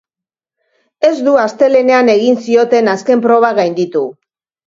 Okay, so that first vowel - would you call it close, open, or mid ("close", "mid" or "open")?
mid